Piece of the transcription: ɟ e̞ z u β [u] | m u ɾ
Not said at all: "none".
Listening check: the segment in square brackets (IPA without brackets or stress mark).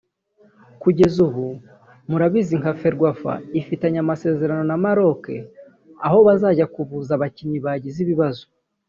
u